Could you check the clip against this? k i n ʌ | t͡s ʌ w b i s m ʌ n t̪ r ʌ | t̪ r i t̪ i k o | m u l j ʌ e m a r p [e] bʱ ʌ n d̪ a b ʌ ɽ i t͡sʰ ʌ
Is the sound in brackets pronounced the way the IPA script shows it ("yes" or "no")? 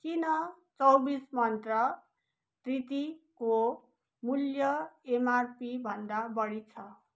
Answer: no